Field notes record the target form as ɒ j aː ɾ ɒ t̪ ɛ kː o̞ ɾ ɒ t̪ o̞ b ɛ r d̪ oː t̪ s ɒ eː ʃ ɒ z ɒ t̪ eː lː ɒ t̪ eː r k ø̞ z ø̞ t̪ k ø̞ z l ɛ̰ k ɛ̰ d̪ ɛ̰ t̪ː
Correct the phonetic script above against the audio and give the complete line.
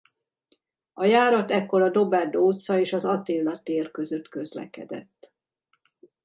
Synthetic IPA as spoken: ɒ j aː ɾ ɒ t̪ ɛ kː o̞ ɾ ɒ d̪ o̞ b ɛ r d̪ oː t̪ s ɒ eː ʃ ɒ z ɒ t̪ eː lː ɒ t̪ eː r k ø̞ z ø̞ t̪ k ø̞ z l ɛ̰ k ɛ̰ d̪ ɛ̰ t̪ː